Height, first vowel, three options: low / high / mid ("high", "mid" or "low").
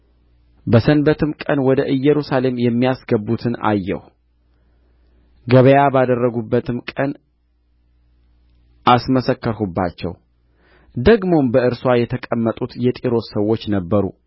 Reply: mid